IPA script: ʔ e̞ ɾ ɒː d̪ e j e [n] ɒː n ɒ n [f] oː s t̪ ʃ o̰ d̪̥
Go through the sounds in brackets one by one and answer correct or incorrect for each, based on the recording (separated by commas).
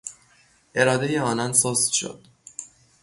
incorrect, incorrect